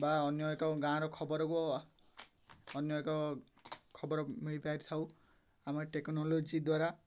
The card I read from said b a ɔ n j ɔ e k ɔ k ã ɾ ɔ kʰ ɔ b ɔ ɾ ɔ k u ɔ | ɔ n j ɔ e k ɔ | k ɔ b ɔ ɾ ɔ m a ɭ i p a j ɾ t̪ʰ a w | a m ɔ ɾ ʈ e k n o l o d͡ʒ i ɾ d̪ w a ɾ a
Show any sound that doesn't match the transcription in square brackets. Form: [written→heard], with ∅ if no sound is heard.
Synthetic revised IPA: b a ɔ n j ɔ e k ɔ [k→ɡ] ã ɾ ɔ kʰ ɔ b ɔ ɾ ɔ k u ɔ | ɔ n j ɔ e k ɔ | [k→kʰ] ɔ b ɔ ɾ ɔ m [a→i] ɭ i p a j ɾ t̪ʰ a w | a m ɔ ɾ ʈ e k n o l o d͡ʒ i [ɾ→∅] d̪ w a ɾ a